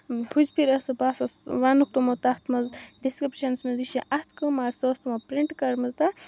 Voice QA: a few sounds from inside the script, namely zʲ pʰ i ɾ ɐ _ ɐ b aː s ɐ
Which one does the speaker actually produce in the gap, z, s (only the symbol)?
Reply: s